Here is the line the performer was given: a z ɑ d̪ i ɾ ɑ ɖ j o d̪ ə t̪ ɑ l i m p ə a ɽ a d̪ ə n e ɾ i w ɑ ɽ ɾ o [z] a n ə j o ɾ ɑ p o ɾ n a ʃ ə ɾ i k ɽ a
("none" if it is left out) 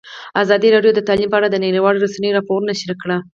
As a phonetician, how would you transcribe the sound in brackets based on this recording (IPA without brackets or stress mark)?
s